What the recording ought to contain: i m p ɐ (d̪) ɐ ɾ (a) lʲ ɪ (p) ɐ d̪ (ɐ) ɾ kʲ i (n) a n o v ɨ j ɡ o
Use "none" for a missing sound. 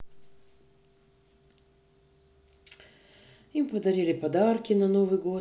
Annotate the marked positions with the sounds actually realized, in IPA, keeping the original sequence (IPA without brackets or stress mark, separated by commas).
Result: d̪, i, p, a, n